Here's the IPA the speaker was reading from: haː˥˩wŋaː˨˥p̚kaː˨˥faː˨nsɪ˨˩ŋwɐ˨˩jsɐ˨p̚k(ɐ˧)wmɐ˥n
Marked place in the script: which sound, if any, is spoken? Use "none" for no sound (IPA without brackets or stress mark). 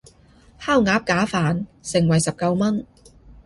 ɐ˧